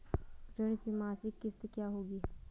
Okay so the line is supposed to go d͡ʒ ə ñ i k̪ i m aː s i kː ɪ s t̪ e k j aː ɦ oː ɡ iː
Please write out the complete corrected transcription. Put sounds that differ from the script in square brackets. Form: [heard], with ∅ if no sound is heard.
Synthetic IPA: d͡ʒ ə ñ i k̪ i m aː s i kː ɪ s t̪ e k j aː ɦ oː ɡ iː